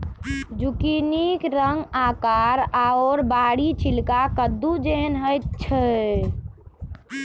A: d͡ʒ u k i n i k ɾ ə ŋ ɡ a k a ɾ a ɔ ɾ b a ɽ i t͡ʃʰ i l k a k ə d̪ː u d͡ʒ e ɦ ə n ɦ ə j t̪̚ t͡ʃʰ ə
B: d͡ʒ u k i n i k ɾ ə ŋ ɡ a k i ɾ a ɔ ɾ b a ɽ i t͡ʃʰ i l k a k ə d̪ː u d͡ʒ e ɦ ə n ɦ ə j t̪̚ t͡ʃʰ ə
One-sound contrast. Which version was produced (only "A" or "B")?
A